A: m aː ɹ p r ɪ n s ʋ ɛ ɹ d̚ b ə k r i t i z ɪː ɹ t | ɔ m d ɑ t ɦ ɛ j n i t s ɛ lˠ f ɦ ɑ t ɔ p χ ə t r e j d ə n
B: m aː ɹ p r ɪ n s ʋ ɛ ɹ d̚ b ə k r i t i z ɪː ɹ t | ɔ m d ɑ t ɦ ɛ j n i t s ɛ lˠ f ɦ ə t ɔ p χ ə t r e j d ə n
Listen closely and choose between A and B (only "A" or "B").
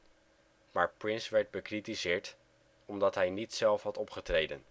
A